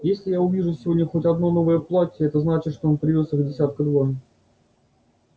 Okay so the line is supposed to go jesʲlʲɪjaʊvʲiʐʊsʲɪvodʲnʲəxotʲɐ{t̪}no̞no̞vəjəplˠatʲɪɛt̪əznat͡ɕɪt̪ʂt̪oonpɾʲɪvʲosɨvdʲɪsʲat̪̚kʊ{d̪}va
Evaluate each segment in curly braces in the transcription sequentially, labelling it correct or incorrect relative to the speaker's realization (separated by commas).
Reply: incorrect, correct